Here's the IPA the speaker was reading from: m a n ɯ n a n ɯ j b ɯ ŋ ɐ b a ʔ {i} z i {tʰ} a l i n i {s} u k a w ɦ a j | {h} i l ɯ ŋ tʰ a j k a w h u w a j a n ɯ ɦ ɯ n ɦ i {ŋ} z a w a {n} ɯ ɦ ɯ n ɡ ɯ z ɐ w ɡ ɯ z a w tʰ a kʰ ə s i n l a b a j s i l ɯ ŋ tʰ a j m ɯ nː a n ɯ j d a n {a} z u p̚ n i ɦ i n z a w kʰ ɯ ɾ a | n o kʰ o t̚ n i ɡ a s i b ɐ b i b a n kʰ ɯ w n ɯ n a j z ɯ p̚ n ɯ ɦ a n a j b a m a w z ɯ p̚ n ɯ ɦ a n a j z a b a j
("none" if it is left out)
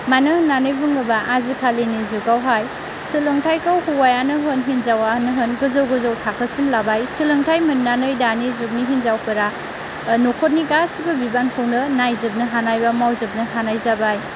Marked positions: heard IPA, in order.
a, kʰ, z, s, n, n, i

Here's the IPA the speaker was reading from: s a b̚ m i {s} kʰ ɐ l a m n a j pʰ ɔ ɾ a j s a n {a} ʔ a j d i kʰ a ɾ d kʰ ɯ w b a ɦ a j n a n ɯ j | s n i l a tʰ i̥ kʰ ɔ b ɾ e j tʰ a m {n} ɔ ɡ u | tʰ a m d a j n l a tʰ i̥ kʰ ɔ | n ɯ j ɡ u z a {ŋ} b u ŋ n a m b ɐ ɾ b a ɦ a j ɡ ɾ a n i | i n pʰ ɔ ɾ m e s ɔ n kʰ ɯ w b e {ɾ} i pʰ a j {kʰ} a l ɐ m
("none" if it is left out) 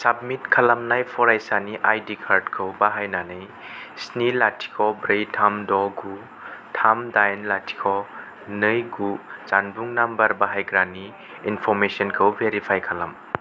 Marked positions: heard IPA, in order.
t, i, d, n, ɾ, kʰ

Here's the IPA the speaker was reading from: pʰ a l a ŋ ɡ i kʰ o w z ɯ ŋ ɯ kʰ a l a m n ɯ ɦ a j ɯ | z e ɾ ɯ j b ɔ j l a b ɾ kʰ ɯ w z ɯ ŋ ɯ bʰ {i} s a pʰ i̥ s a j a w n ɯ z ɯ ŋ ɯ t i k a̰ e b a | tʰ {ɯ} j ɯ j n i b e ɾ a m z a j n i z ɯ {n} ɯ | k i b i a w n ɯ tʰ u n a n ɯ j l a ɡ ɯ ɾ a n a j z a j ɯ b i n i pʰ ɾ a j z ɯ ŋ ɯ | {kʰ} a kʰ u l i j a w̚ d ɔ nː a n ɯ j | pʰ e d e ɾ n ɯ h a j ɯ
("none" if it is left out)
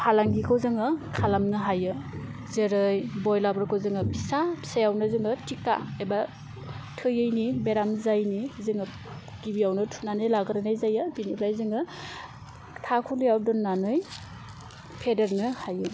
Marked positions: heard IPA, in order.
i, ɯ, ŋ, tʰ

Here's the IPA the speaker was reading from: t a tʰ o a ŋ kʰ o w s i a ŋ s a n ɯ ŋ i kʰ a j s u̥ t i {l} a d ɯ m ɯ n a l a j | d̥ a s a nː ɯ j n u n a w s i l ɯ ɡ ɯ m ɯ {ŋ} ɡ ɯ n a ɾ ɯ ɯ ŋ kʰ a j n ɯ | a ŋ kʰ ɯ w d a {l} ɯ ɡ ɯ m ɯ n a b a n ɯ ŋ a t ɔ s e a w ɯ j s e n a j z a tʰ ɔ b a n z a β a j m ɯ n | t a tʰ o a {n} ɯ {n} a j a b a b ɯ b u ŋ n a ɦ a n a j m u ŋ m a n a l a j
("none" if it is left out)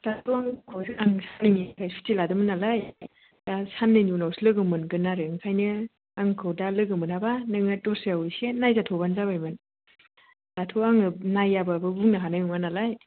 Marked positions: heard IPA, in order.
l, n, l, ŋ, n

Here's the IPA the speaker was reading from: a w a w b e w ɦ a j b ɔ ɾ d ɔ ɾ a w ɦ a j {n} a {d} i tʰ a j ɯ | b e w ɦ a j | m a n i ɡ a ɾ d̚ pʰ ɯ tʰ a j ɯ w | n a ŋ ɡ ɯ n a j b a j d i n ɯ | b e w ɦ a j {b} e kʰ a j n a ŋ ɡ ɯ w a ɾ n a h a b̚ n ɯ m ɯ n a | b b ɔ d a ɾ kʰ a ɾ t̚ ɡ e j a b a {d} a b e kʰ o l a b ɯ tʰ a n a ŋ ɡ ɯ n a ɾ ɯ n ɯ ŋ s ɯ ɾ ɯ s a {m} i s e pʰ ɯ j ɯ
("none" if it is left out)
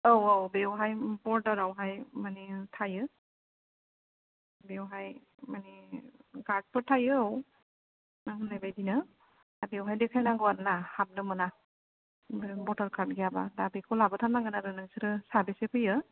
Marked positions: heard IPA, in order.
m, n, d, d, b

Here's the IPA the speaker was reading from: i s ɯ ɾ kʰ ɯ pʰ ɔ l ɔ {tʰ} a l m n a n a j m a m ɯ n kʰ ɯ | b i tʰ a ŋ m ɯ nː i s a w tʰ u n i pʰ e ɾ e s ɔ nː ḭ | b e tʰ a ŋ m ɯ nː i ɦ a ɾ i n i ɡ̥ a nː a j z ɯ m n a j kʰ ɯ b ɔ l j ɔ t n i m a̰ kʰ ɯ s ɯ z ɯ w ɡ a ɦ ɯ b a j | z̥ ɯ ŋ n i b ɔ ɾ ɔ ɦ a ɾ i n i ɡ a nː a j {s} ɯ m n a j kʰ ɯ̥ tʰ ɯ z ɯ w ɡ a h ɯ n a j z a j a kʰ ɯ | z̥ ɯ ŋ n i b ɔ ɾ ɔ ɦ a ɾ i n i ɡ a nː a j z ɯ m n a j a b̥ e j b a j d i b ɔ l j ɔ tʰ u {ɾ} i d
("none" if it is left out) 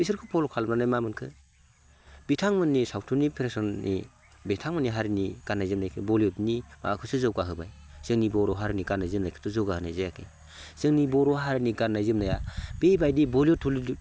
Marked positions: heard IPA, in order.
kʰ, z, l

